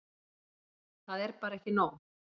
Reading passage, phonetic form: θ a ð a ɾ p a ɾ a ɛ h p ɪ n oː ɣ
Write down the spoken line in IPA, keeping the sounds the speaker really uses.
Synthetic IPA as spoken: θ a ð ɛ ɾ p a ɾ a ɛ h c ɪ n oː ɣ